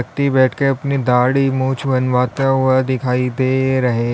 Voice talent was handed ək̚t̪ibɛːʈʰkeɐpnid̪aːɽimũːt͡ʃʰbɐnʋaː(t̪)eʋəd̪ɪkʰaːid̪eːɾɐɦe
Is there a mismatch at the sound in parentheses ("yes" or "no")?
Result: no